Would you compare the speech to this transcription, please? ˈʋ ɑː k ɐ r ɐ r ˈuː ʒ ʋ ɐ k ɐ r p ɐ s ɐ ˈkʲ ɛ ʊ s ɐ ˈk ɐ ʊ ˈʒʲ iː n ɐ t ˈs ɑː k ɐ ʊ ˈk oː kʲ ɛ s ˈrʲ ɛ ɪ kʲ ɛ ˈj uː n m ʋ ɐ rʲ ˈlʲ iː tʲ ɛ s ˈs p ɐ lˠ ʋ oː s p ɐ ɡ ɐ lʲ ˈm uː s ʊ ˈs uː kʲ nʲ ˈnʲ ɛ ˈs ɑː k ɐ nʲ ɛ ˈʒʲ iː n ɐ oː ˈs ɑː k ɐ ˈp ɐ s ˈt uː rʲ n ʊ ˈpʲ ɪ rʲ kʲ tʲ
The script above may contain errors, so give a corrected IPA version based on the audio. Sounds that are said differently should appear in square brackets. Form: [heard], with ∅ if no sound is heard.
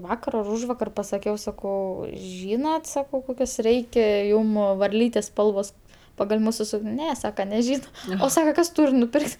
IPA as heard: ˈʋ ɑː k ɐ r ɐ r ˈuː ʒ ʋ ɐ k ɐ r p ɐ s ɐ ˈkʲ ɛ ʊ s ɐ ˈk ɐ ʊ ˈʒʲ iː n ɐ t ˈs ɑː k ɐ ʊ ˈk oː kʲ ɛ s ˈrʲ ɛ ɪ kʲ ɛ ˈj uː [∅] m ʋ ɐ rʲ ˈlʲ iː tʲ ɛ s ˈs p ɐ lˠ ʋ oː s p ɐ ɡ ɐ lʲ ˈm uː s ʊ ˈs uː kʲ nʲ ˈnʲ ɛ ˈs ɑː k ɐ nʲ ɛ ˈʒʲ iː n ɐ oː ˈs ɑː k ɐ [ˈk] ɐ s ˈt uː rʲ n ʊ ˈpʲ ɪ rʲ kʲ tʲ